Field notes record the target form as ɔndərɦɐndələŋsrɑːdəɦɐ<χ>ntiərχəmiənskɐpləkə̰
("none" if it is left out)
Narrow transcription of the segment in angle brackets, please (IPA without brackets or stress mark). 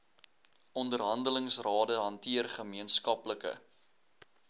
none